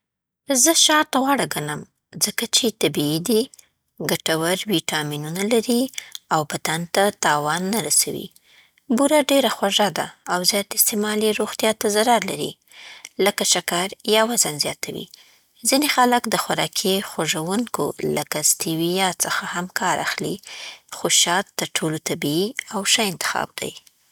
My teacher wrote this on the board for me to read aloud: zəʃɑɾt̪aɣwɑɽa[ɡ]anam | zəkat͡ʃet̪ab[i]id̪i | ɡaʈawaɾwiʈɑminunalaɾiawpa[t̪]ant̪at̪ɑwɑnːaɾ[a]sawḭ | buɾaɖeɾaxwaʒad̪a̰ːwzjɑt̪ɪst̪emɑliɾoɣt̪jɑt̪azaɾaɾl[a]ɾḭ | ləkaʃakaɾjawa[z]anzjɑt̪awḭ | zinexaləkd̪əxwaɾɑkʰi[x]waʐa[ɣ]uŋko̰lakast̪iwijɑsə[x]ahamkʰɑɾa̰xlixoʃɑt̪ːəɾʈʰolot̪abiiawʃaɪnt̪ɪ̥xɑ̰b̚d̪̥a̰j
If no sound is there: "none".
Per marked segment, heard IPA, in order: ɡ, i, t̪, a, a, z, x, w, x

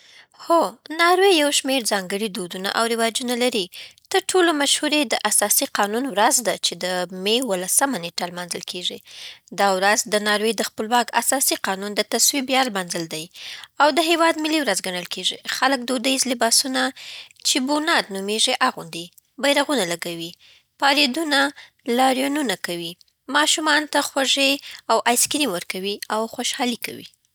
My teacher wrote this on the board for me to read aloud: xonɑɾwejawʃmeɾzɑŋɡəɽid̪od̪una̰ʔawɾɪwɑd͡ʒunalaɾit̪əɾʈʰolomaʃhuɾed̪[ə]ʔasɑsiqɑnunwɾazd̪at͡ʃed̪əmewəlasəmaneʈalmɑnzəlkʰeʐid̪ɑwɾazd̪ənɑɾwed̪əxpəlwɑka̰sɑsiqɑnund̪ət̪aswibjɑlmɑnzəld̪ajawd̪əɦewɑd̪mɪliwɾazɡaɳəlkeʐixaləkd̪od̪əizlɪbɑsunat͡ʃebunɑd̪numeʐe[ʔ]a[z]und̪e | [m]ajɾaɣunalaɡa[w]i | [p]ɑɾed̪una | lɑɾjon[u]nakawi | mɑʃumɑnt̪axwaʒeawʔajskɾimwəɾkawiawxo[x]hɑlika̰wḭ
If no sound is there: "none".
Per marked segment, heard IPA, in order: ə, ʔ, ɣ, b, w, p, u, ʃ

